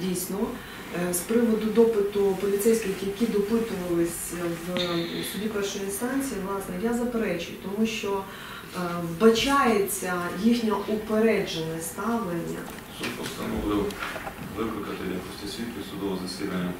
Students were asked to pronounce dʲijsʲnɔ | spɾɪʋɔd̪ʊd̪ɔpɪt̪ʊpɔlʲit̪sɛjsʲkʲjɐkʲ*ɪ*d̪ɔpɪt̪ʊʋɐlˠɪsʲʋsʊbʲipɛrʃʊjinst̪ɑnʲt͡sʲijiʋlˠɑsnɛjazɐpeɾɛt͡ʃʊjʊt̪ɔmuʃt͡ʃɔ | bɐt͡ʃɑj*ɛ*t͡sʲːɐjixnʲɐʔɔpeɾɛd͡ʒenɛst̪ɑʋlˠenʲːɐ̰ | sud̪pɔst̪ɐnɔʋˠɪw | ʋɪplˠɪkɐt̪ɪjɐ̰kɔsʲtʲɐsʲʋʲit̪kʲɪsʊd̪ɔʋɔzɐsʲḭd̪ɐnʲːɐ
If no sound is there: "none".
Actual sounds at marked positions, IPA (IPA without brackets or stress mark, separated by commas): i, e